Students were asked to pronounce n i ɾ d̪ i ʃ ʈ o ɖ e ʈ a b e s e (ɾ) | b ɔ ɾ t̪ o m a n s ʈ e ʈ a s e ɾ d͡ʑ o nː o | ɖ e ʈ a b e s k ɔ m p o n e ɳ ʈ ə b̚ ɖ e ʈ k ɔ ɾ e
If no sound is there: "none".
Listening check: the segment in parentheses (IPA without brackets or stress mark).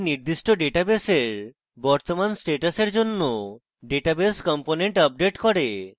ɾ